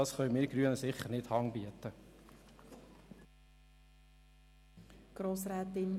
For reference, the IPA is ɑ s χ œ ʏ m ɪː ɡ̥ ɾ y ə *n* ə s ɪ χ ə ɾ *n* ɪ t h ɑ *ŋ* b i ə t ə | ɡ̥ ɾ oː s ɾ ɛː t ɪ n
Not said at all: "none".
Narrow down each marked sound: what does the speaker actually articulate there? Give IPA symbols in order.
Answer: n, n, ŋ

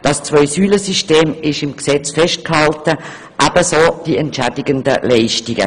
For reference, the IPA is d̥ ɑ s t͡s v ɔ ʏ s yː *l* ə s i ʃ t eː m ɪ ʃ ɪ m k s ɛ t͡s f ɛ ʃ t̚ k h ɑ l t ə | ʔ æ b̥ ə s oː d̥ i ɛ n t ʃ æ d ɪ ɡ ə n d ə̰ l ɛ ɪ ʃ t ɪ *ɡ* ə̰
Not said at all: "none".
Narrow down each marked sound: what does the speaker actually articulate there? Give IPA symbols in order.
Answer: l, ɡ

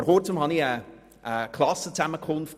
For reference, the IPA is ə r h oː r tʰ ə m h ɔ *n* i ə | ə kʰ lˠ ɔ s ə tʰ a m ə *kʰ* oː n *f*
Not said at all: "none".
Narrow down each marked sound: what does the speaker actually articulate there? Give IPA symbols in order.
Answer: n, kʰ, f

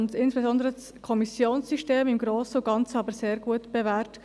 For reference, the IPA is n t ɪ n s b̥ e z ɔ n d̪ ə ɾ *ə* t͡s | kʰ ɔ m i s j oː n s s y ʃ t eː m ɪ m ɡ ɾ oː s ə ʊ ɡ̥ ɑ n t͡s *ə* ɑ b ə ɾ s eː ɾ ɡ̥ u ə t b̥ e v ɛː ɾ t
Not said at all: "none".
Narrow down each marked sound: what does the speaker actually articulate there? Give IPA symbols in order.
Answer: ə, ə

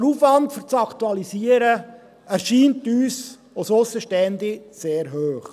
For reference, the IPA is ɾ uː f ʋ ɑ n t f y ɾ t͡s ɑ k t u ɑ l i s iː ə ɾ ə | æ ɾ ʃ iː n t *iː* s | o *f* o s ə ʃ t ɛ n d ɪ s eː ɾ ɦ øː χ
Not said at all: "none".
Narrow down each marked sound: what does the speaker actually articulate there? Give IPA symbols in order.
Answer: yː, s

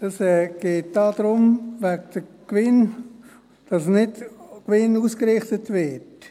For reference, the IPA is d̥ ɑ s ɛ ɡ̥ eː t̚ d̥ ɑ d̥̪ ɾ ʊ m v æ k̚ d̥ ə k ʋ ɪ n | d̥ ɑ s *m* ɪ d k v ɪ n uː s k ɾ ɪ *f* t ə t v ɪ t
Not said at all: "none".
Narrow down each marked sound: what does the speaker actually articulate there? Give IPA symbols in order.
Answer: n, χ

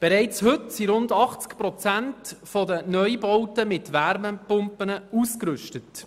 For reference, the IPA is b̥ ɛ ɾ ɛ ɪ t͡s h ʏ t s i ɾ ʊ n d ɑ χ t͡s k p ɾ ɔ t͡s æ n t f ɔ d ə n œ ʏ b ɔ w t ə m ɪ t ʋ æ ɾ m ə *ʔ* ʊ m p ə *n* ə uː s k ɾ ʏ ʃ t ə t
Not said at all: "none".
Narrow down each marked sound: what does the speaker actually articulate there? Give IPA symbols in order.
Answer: p, n

